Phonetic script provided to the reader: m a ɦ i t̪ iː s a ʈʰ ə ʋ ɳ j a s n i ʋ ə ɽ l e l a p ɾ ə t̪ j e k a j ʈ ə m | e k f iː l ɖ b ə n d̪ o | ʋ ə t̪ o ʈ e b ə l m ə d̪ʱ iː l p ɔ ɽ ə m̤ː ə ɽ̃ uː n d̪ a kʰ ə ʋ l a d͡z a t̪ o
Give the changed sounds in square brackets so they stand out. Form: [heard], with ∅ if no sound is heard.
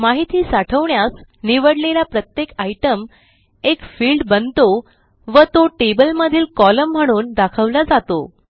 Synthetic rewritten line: m a ɦ i t̪ iː s a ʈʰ ə ʋ ɳ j a s n i ʋ ə ɽ l e l a p ɾ ə t̪ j e k a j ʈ ə m | e k f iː l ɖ b ə n [t̪] o | ʋ ə t̪ o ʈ e b ə l m ə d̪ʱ iː l [k] ɔ [l] ə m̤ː ə ɽ̃ uː n d̪ a kʰ ə ʋ l a d͡z a t̪ o